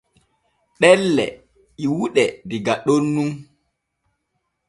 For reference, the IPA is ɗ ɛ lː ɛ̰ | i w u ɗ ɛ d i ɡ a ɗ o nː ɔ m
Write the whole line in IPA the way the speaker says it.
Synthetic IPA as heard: ɗ ɛ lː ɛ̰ | i w u ɗ ɛ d i ɡ a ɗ o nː u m